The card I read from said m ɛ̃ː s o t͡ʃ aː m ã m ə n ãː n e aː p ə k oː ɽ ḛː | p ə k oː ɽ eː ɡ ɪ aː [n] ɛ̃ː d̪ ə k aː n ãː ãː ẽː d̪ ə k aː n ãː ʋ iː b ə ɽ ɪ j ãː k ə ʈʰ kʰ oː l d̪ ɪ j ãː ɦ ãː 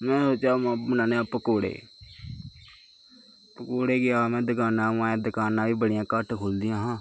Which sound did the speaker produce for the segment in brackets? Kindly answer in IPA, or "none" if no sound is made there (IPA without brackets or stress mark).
m